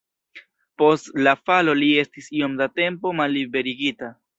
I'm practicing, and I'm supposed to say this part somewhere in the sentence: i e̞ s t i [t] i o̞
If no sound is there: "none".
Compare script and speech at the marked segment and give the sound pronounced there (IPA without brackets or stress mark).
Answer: s